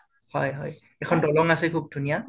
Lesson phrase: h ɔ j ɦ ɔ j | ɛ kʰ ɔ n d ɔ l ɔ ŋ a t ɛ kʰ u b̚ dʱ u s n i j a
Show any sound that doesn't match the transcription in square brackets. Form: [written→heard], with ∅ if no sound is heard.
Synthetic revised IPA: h ɔ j ɦ ɔ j | ɛ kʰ ɔ n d ɔ l ɔ ŋ a [t→s] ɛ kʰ u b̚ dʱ u [s→∅] n i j a